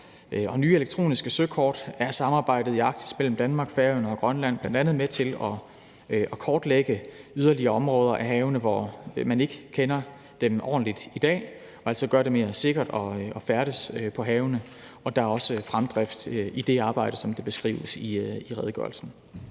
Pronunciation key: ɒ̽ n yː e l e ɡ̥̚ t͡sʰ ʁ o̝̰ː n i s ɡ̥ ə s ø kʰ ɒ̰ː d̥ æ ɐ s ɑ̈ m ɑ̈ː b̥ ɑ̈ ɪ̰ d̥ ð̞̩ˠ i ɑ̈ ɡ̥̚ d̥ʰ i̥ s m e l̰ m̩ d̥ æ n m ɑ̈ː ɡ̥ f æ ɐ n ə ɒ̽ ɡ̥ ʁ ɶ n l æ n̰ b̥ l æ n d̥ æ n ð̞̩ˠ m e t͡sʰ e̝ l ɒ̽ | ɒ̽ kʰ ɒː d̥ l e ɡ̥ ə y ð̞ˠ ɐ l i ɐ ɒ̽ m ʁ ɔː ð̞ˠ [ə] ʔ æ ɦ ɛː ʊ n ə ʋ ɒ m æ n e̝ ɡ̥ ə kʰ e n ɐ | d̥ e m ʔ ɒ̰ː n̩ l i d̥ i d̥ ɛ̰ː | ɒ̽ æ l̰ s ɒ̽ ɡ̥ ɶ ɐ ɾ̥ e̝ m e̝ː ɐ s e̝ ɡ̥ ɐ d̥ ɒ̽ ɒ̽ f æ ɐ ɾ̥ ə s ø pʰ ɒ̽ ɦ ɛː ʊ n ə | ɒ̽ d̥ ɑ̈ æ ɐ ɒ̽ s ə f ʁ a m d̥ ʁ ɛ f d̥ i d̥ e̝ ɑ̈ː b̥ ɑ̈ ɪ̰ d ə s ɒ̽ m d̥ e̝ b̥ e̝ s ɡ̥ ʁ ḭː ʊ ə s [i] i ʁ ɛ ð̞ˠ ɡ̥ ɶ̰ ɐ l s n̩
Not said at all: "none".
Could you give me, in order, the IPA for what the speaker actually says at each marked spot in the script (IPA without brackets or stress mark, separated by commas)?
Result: ɐ, i